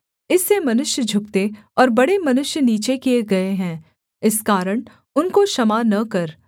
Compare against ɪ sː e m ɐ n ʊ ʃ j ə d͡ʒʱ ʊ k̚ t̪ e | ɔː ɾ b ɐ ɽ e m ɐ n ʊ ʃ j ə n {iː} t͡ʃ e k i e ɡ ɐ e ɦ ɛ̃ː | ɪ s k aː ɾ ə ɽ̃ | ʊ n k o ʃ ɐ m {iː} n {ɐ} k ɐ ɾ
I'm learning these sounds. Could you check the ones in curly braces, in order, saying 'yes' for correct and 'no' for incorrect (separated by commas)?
yes, no, yes